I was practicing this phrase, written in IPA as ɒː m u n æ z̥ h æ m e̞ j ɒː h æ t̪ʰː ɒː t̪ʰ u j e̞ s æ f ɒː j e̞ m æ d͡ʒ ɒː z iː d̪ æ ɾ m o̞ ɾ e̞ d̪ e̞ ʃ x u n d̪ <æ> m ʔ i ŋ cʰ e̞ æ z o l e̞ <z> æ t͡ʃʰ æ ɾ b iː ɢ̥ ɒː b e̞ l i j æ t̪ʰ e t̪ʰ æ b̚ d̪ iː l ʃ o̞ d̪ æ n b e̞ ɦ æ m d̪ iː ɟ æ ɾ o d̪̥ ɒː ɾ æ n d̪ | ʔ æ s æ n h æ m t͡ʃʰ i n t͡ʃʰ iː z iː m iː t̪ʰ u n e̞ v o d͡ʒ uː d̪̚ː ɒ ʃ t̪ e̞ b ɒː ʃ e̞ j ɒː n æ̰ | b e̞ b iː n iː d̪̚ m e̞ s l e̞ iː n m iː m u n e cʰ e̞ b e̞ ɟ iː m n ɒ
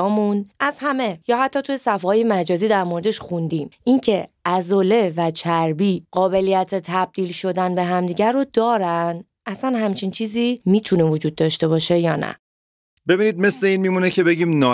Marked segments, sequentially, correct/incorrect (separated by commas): incorrect, incorrect